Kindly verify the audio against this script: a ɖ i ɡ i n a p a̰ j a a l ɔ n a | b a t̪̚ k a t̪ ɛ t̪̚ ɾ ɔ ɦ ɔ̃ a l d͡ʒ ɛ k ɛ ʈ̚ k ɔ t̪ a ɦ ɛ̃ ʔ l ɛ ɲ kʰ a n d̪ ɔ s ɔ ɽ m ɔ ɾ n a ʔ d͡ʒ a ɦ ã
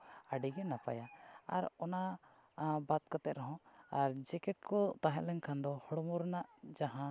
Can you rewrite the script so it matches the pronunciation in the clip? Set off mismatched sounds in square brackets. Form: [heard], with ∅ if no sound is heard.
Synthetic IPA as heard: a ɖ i ɡ [ɛ] n a p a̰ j a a [ɾ] ɔ n a | b a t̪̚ k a t̪ ɛ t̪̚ ɾ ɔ ɦ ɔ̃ a [ɾ] d͡ʒ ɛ k ɛ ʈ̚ k ɔ t̪ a ɦ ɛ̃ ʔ l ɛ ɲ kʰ a n d̪ ɔ [h] ɔ ɽ m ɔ ɾ n a ʔ d͡ʒ a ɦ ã